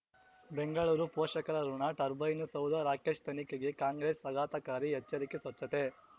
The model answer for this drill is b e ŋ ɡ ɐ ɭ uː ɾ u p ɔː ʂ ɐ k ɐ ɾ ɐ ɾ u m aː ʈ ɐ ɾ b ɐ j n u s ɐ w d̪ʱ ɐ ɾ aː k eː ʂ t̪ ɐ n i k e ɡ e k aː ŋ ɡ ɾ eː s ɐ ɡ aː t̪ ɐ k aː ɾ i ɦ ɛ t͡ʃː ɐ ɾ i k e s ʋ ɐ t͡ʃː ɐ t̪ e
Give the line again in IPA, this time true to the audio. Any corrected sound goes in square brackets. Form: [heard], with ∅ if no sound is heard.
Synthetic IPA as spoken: b e ŋ ɡ ɐ ɭ uː ɾ u p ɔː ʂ ɐ k ɐ ɾ ɐ ɾ u [ɳ] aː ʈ ɐ ɾ b ɐ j n u s ɐ w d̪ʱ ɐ ɾ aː k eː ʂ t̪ ɐ n i k e ɡ e k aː ŋ ɡ ɾ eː s ɐ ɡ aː t̪ ɐ k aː ɾ i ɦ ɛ t͡ʃː ɐ ɾ i k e s ʋ ɐ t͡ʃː ɐ t̪ e